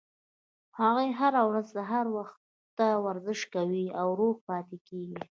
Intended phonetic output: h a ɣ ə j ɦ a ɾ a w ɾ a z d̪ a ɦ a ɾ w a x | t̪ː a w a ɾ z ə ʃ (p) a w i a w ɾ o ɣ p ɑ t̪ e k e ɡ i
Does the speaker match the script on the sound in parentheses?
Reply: no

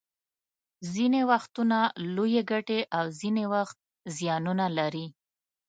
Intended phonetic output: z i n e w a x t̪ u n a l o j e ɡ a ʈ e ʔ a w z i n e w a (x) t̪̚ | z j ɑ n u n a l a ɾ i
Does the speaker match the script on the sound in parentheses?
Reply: yes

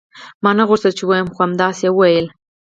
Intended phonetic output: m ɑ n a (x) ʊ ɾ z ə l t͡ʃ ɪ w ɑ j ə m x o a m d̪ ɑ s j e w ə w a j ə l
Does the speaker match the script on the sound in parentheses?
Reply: no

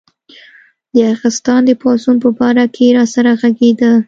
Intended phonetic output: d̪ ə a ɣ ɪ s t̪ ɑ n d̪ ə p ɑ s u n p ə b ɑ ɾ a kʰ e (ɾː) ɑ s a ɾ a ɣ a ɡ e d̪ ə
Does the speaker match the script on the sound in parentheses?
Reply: no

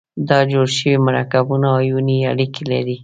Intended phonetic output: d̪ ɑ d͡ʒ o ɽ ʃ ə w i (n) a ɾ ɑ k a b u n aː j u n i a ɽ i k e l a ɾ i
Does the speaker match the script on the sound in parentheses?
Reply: no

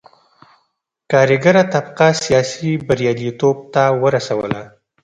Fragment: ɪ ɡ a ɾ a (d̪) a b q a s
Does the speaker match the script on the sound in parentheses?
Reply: no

